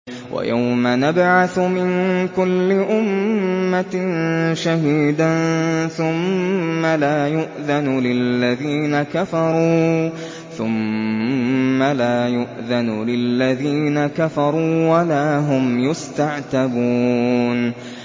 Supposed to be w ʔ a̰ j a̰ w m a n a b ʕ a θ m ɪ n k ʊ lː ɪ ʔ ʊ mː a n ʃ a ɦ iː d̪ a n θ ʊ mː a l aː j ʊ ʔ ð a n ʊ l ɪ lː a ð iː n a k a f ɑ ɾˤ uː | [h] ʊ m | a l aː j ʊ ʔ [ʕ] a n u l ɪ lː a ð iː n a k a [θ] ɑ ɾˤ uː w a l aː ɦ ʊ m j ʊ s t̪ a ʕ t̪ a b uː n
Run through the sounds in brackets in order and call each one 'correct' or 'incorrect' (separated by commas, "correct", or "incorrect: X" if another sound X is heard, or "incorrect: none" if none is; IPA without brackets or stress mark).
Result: incorrect: θ, incorrect: ð, incorrect: f